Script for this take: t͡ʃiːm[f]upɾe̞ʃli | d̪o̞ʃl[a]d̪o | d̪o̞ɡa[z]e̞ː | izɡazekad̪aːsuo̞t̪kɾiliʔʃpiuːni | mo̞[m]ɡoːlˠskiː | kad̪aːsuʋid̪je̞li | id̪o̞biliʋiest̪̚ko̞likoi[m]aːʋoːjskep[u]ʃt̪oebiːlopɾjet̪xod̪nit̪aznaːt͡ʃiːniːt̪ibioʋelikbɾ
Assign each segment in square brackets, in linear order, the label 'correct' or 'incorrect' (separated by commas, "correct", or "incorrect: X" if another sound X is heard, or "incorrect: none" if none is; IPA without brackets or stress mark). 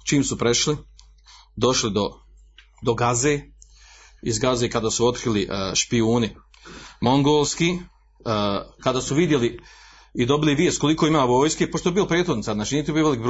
incorrect: s, incorrect: i, correct, incorrect: ŋ, correct, incorrect: o